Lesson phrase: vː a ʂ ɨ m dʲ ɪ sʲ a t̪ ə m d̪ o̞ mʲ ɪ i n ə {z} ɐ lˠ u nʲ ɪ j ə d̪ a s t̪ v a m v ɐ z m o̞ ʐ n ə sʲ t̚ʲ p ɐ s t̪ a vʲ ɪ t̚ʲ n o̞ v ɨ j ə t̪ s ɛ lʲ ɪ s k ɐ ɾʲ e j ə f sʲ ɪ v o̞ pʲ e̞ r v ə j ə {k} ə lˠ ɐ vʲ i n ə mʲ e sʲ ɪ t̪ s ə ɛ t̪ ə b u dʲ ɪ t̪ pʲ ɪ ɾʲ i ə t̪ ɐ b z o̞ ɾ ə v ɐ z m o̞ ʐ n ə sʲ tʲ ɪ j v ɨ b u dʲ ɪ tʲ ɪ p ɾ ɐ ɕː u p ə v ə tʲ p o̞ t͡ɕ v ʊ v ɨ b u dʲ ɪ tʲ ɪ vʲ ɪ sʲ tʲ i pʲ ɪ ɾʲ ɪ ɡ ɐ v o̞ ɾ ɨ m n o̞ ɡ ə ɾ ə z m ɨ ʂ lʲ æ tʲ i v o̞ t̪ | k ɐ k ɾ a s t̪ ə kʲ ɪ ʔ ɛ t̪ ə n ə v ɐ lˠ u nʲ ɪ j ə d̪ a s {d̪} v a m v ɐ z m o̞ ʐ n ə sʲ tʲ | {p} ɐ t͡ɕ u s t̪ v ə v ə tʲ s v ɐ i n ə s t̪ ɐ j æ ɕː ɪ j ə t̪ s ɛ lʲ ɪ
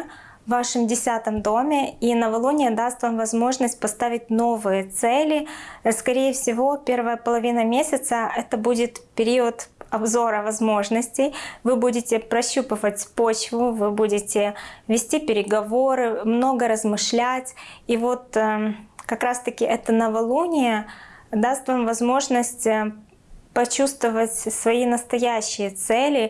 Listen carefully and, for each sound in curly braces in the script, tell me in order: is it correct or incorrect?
incorrect: v, incorrect: p, incorrect: t̪, correct

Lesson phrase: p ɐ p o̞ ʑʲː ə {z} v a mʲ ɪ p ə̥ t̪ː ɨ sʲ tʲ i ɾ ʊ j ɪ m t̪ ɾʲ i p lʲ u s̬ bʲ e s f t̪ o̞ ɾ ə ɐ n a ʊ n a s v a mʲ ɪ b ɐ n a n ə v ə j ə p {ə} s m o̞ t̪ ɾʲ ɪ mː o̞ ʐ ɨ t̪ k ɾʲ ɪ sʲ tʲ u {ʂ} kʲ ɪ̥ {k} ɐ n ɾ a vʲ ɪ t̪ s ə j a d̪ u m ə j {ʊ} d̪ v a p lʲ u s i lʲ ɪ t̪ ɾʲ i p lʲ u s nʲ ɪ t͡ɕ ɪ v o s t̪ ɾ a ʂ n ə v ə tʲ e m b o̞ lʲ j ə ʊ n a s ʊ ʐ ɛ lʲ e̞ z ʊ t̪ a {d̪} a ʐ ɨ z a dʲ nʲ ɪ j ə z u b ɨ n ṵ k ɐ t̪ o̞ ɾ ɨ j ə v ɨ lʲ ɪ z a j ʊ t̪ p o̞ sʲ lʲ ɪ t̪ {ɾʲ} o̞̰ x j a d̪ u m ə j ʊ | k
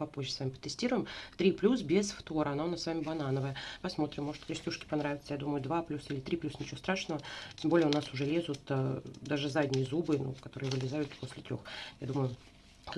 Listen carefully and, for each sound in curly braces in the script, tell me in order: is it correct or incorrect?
incorrect: s, incorrect: ɐ, correct, incorrect: p, correct, correct, correct

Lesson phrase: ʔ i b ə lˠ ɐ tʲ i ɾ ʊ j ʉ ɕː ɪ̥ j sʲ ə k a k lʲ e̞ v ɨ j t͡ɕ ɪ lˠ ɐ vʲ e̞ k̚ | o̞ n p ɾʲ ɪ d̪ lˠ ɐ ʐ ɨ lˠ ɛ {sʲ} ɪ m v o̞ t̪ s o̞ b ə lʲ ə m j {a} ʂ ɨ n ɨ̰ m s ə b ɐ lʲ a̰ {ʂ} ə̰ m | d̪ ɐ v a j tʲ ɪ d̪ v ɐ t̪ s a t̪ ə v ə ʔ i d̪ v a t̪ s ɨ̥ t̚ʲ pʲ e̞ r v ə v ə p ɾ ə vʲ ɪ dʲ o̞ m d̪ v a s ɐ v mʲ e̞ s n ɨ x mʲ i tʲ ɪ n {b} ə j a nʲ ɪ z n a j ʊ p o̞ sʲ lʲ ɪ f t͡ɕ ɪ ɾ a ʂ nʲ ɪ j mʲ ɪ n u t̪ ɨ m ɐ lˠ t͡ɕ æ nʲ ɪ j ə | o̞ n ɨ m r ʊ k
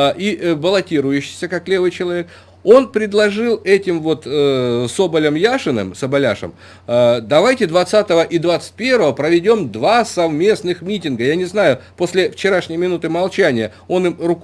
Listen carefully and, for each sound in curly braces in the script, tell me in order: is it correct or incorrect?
incorrect: tʲ, correct, correct, incorrect: ɡ

